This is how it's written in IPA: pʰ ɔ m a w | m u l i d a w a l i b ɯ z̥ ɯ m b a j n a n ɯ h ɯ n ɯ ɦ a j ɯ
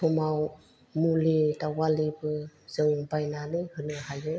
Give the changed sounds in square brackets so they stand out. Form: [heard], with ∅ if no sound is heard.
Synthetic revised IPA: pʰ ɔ m a w | m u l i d a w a l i b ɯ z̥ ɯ [ŋ] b a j n a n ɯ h ɯ n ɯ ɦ a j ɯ